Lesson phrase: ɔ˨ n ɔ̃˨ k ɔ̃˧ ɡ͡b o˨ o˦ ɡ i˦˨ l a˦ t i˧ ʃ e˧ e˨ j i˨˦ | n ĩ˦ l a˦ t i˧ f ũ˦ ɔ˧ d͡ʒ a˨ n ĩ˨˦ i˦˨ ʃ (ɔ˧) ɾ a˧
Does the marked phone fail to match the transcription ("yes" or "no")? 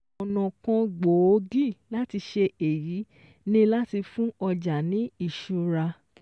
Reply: yes